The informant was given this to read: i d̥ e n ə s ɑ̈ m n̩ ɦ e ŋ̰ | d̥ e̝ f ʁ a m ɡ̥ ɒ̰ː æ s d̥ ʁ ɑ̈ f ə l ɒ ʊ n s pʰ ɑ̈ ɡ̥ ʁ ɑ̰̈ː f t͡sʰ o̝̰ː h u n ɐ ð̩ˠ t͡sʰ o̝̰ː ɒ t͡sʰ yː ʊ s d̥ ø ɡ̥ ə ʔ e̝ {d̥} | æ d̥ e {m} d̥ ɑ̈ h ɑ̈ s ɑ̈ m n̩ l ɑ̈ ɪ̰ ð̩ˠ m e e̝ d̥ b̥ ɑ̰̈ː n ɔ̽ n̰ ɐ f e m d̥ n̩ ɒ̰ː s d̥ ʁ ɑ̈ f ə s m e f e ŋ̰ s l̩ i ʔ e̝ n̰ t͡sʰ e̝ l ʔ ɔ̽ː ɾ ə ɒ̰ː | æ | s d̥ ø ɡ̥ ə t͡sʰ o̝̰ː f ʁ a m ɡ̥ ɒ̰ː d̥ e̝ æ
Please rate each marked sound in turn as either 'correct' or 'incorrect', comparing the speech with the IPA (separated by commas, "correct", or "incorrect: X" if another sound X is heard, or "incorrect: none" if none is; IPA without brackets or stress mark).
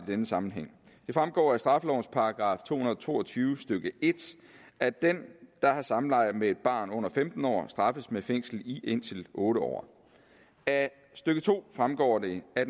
correct, incorrect: n